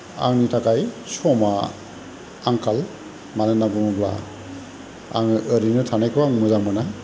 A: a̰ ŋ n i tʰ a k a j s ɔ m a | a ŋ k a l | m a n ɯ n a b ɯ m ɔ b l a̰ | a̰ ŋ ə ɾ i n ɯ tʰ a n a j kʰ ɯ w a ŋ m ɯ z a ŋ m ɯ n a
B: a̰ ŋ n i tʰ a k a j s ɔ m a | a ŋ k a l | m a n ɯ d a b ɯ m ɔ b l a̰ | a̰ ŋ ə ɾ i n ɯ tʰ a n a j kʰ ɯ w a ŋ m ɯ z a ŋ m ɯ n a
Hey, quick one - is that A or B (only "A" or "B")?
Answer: A